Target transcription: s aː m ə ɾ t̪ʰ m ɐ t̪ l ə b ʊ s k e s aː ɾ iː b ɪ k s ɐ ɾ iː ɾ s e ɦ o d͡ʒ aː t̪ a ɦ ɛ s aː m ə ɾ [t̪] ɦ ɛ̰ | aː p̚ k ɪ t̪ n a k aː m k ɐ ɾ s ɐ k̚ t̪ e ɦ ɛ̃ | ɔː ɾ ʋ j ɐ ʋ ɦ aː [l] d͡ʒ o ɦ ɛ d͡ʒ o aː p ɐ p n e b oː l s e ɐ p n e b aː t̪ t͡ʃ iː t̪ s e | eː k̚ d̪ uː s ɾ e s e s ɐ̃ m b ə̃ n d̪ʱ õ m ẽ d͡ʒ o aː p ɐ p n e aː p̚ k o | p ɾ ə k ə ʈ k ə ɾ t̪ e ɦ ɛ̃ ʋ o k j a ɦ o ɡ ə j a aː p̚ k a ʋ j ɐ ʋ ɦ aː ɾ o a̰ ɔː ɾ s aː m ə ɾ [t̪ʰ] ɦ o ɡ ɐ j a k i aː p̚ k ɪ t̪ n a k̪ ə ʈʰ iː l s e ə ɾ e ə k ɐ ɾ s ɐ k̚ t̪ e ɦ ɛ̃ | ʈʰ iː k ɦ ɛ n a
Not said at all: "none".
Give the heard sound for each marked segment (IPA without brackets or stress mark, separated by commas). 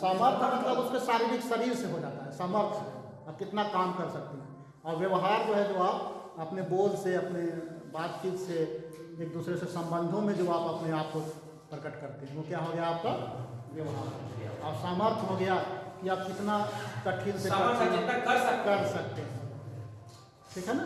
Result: t̪ʰ, ɾ, t̪ʰ